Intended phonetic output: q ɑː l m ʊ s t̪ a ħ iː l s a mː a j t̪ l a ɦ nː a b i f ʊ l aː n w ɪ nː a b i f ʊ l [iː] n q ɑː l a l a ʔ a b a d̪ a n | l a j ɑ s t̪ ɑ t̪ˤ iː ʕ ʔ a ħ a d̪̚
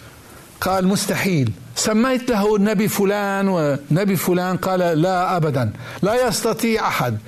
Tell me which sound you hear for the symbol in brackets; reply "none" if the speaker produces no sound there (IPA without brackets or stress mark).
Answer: aː